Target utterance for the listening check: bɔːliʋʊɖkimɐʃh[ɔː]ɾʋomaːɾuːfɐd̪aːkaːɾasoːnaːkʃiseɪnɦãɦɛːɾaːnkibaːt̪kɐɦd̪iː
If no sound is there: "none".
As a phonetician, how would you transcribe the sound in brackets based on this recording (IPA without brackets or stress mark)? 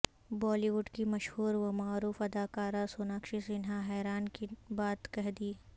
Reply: uː